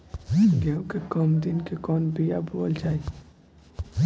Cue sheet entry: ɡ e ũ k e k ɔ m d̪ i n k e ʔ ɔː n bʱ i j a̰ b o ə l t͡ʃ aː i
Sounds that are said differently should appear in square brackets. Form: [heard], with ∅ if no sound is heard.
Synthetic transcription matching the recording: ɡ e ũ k e k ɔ m d̪ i n k e [k] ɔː n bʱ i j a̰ b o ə l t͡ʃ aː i